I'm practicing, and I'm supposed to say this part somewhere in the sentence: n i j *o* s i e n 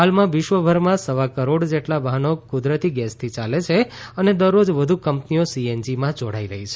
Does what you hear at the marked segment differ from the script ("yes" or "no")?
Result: no